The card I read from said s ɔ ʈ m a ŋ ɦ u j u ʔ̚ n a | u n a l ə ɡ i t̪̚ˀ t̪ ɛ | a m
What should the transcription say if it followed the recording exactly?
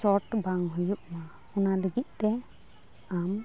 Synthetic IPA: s ɔ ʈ b a ŋ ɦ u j u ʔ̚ m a | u n a l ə ɡ i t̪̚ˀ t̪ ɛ | a m